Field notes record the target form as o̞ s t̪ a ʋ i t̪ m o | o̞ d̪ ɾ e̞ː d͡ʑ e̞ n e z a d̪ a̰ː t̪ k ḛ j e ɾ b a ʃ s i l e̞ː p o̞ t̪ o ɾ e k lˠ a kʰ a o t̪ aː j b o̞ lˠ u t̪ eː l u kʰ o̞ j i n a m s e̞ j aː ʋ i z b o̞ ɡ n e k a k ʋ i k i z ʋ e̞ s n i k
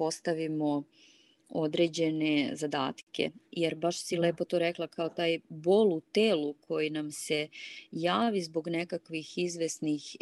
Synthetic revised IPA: o̞ s t̪ a ʋ i m o | o̞ d̪ ɾ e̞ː d͡ʑ e̞ n e z a d̪ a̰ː t̪ k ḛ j e ɾ b a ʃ s i l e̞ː p o̞ t̪ o ɾ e k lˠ a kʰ a o t̪ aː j b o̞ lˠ u t̪ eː l u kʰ o̞ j i n a m s e̞ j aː ʋ i z b o̞ ɡ n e k a k ʋ i x i z ʋ e̞ s n i x